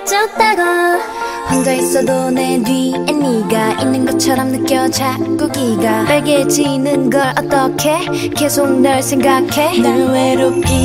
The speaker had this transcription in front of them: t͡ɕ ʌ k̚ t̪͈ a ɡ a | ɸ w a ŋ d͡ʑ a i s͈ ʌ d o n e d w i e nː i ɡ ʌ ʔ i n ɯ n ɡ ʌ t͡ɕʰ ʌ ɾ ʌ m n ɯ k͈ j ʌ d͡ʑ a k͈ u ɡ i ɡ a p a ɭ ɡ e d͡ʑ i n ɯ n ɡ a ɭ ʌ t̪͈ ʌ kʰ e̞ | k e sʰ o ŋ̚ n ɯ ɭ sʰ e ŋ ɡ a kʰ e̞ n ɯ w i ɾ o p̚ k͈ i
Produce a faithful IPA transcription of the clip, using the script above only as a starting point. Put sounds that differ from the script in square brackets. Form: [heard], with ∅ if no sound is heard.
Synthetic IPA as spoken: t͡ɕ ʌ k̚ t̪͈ a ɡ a | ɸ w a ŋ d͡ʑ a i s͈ ʌ d o n e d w i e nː i ɡ [a] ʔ i [nː] ɯ n ɡ ʌ t͡ɕʰ ʌ ɾ ʌ m n ɯ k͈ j ʌ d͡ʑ a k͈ u ɡ i ɡ a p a ɭ ɡ e d͡ʑ i n ɯ n ɡ [ʌ] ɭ ʌ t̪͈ ʌ kʰ e̞ | k e sʰ o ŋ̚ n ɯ ɭ sʰ e ŋ ɡ a kʰ e̞ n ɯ w [e] ɾ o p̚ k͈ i